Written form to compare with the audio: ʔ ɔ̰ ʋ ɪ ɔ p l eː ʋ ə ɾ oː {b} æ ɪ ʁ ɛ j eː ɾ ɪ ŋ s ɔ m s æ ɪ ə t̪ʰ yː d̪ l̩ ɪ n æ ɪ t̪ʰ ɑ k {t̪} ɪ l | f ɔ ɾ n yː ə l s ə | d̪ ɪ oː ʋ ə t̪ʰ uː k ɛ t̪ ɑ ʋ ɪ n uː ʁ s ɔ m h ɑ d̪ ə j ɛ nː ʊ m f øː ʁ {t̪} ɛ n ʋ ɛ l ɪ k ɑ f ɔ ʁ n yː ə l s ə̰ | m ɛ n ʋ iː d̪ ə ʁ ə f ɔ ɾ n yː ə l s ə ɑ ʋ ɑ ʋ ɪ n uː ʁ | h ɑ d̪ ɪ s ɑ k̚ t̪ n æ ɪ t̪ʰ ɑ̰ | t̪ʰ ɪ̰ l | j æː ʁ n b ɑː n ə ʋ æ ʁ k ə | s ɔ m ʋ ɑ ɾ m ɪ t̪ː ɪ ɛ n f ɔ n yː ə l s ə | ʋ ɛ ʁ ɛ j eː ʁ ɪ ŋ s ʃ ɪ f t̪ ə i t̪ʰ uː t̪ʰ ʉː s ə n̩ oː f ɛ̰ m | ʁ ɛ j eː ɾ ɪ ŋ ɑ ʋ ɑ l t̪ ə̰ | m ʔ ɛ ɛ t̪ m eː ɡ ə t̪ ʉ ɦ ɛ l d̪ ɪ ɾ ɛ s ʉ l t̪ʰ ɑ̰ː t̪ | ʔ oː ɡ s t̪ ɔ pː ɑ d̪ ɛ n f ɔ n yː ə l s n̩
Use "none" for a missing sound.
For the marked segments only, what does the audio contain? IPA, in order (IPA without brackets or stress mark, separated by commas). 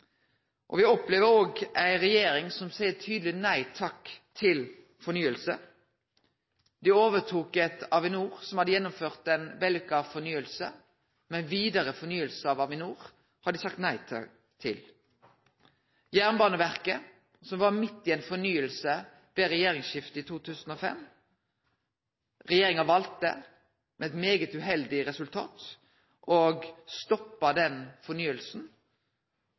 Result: ɡ, t̪ʰ, t̪